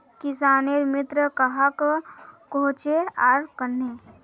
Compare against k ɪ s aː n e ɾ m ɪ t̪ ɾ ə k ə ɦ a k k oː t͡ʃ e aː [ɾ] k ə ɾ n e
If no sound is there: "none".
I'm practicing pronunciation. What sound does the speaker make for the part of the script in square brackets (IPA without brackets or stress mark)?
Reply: ɾ